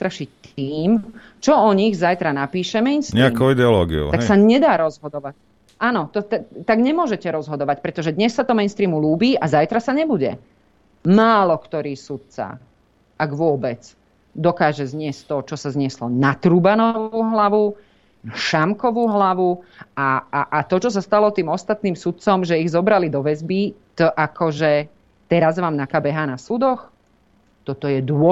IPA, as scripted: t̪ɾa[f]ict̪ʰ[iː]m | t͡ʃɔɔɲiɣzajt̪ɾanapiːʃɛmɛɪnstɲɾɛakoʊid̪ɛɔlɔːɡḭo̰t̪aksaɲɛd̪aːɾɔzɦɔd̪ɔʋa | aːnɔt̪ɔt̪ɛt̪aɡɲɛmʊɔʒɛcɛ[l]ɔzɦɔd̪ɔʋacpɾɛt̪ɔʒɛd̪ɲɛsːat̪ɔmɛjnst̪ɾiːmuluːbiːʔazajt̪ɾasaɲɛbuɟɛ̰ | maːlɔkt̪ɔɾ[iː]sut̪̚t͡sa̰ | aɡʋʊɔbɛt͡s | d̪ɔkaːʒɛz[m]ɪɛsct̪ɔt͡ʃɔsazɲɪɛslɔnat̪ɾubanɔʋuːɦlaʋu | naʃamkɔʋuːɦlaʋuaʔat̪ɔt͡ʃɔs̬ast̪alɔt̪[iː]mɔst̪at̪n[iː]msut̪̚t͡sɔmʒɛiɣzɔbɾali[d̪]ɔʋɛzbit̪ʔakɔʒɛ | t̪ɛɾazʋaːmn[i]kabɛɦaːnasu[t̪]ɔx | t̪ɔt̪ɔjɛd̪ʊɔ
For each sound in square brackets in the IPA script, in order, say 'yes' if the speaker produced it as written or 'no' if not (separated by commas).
no, yes, no, yes, no, yes, yes, yes, no, no